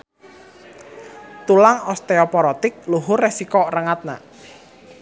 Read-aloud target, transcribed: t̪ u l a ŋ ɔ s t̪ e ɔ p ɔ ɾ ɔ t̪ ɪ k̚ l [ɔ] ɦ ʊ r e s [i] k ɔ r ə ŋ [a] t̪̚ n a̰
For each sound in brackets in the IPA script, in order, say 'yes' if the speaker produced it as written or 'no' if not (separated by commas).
no, yes, yes